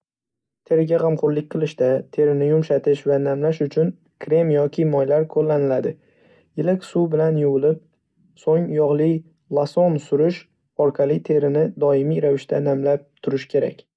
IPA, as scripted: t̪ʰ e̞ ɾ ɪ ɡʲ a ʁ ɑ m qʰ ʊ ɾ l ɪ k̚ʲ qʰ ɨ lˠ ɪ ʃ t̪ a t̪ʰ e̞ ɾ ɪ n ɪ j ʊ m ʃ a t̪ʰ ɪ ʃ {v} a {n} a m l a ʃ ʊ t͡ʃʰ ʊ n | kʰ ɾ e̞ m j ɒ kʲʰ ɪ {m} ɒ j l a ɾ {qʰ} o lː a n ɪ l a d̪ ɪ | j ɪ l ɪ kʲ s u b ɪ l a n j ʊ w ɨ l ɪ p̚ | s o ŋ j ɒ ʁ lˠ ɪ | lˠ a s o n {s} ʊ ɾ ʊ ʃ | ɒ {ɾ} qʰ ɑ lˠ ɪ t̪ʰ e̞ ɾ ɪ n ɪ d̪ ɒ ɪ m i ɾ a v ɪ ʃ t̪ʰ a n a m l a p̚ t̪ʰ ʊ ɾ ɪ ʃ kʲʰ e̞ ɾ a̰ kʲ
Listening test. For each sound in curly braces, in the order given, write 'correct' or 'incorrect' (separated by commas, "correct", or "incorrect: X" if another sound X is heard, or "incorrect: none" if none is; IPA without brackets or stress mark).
correct, correct, correct, incorrect: kʰ, correct, correct